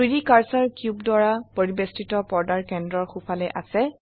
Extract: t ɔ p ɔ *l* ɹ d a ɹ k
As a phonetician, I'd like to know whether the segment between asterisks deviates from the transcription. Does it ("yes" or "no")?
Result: yes